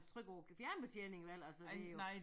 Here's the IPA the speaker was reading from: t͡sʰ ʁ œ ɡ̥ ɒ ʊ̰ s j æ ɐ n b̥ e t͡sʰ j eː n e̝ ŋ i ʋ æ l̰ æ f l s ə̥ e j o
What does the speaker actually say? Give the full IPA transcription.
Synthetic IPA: t͡sʰ ʁ œ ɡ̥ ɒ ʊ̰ f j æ ɐ n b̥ e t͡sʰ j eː n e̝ ŋ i ʋ æ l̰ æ l s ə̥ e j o

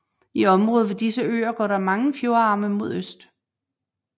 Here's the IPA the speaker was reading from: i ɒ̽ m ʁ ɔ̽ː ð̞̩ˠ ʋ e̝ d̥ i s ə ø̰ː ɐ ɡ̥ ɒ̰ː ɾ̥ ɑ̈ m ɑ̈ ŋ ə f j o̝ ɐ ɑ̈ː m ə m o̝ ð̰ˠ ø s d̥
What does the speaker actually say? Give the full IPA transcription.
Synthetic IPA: i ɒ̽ m ʁ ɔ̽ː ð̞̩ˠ ʋ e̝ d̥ i s ə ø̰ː ɐ ɡ̥ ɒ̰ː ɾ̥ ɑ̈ m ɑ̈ ŋ ə f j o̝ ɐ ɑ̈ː m ə m o̝ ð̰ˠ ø s d̥

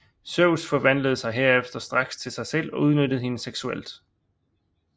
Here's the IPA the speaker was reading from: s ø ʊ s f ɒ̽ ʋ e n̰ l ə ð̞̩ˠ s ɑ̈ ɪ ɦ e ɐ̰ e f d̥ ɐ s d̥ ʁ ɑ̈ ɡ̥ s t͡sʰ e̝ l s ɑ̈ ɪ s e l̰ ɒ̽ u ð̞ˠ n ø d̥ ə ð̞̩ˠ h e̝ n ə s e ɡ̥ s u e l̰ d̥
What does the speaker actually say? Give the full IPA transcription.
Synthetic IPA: s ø ʊ s f ɒ̽ ʋ æ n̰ l ə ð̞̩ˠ s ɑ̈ ɪ ɦ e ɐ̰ e f d̥ ɐ s d̥ ʁ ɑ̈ ɡ̥ s t͡sʰ e̝ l s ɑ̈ ɪ s e l̰ ɒ̽ u ð̞ˠ n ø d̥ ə ð̞̩ˠ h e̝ n ə s e ɡ̥ s u e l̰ d̥

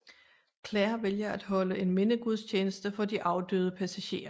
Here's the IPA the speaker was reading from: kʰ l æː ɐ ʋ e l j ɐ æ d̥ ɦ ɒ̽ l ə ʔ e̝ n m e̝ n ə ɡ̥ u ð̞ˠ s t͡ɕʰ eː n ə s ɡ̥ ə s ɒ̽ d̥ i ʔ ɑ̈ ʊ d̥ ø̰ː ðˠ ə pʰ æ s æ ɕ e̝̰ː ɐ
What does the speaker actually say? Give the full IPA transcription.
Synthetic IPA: kʰ l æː ɐ ʋ e l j ɐ æ d̥ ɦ ɒ̽ l ə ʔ e̝ n m e̝ n ə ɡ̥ u ð̞ˠ s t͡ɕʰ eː n ə s d̥ ə f ɒ̽ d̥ i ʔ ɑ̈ ʊ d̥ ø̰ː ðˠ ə pʰ æ s æ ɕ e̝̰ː ɐ

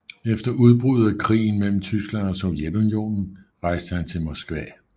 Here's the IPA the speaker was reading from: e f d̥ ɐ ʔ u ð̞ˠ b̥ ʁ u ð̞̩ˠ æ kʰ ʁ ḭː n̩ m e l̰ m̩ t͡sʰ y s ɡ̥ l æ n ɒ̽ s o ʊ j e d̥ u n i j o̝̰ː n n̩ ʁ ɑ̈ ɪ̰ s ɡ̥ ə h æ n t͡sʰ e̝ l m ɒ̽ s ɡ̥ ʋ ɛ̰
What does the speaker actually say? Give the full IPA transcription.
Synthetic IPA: e f d̥ ɐ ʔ u ð̞ˠ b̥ ʁ u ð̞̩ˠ æ kʰ ʁ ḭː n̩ m e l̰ m̩ t͡sʰ y s ɡ̥ l æ n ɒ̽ s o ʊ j e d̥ u n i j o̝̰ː n n̩ ʁ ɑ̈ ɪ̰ s d̥ ə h æ n t͡sʰ e̝ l m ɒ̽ s ɡ̥ ʋ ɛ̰

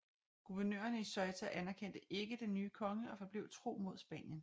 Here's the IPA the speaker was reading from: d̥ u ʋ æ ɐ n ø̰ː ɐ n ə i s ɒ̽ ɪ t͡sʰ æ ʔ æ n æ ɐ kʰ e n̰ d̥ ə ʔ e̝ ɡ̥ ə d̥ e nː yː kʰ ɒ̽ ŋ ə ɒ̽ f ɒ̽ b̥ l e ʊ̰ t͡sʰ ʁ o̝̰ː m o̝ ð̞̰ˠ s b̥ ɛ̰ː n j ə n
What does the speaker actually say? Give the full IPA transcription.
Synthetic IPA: ɡ̥ u ʋ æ ɐ n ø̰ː ɐ n ə i s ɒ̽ ɪ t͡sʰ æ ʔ æ n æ ɐ kʰ e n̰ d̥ ə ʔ e̝ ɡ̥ ə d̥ e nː yː kʰ ɒ̽ ŋ ə ɒ̽ f ɒ̽ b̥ l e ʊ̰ t͡sʰ ʁ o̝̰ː m o̝ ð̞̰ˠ s b̥ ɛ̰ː n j ə n

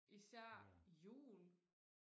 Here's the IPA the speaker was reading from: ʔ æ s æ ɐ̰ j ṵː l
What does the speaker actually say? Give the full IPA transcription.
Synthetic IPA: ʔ i s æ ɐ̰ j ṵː l

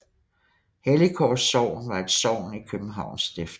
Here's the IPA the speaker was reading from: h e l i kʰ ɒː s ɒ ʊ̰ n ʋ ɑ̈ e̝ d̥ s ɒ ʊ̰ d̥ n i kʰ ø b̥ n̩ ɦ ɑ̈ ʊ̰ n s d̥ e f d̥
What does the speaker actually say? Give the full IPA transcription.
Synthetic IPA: h e l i kʰ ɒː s ɒ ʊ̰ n ʋ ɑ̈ e̝ d̥ s ɒ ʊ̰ n i kʰ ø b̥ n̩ ɦ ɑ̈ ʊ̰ n s d̥ e f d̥

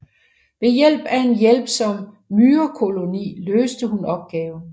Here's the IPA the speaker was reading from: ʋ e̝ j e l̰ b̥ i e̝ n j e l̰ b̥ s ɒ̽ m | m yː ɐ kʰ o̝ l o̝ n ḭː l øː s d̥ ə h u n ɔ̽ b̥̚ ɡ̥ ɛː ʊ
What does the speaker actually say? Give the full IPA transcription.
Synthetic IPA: ʋ e̝ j e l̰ b̥ æ e̝ n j e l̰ b̥ s ɒ̽ m | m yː ɐ kʰ o̝ l o̝ n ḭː l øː s d̥ ə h u n ɒ̽ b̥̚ ɡ̥ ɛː ʊ

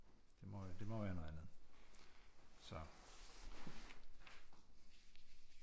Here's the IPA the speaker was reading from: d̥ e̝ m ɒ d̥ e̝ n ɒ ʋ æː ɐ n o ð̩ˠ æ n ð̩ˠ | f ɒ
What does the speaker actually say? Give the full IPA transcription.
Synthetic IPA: d̥ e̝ m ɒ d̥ e̝ m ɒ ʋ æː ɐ n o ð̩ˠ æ n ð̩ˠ | s ɒ

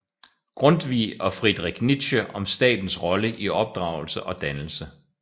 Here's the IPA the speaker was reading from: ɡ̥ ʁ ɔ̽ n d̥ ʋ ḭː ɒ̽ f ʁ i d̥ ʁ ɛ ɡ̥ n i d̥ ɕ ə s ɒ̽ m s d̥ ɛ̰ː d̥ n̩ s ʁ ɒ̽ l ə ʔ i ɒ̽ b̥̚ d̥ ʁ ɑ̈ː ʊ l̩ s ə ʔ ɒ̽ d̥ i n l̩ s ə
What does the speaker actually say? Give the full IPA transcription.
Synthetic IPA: ɡ̥ ʁ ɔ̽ n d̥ ʋ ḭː ɒ̽ f ʁ i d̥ ʁ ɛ ɡ̥ n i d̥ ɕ ə ɒ̽ m s d̥ ɛ̰ː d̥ n̩ s ʁ ɒ̽ l ə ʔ i ɒ̽ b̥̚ d̥ ʁ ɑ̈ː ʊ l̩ s ə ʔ ɒ̽ d̥ æ n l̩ s ə

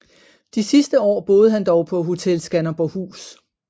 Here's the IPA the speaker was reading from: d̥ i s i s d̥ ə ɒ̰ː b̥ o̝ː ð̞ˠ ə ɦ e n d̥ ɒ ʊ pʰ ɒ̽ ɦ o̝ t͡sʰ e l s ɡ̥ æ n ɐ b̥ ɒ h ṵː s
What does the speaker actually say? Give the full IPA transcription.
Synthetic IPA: d̥ i s i s d̥ ə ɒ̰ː b̥ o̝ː ð̞ˠ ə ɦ æ n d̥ ɒ ʊ pʰ ɒ̽ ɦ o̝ t͡sʰ e l s ɡ̥ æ n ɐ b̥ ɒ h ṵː s

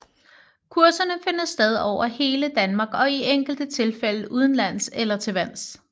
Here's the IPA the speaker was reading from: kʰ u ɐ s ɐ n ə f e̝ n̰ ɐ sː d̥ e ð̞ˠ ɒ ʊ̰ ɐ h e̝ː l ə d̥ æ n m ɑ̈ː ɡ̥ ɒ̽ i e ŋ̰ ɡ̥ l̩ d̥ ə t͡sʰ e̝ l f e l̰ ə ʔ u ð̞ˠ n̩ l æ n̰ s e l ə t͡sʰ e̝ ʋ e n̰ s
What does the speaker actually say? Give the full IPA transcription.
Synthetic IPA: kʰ u ɐ s ɐ n ə f e̝ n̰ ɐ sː d̥ e ð̞ˠ ɒ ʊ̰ ɐ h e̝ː l ə d̥ æ n m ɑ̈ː ɡ̥ ɒ̽ i e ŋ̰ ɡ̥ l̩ d̥ ə t͡sʰ e̝ l f e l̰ ə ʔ u ð̞ˠ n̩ l æ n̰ s e l ɐ t͡sʰ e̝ ʋ æ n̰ s

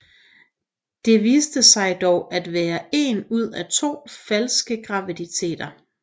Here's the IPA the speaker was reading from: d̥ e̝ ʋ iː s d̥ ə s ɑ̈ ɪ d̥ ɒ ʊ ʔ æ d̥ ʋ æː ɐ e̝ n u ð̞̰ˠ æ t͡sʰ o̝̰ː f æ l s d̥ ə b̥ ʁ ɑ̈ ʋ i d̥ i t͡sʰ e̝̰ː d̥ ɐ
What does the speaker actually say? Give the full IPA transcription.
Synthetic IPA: d̥ e̝ ʋ iː s d̥ ə s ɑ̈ ɪ d̥ ɒ ʊ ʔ æ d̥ ʋ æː ɐ e̝ n u ð̞̰ˠ æ t͡sʰ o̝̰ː f æ l s ɡ̥ ə ɡ̥ ʁ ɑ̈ ʋ i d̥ i t͡sʰ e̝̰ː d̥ ɐ

